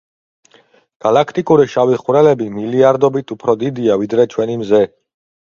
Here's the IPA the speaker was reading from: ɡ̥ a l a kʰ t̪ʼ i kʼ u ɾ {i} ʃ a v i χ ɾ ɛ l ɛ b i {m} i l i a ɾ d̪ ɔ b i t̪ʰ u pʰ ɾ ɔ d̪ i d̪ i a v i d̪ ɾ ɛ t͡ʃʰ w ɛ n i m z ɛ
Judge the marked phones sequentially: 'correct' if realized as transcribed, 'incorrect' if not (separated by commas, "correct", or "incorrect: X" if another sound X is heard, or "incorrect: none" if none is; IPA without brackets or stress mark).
correct, correct